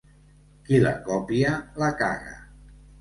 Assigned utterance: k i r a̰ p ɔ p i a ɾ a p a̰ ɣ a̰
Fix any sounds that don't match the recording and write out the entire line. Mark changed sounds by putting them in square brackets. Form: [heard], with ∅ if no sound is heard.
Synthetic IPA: k i [l] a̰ [k] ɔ p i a [l] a [k] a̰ ɣ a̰